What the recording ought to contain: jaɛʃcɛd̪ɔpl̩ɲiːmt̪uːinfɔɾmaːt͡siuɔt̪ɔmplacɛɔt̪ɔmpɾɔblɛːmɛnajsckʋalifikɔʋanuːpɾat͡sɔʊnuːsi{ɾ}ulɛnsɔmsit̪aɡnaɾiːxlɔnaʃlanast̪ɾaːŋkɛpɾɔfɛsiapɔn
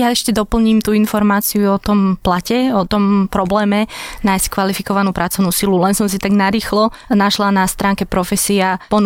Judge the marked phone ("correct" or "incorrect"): incorrect